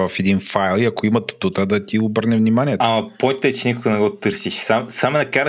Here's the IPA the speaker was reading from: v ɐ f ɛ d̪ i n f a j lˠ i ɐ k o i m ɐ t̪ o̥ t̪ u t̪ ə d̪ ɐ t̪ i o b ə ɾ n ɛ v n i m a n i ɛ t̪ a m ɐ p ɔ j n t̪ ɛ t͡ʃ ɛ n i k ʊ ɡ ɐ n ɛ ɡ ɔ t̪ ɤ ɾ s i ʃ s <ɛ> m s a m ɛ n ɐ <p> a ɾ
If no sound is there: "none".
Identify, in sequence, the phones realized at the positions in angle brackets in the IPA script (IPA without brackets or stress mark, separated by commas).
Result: a, k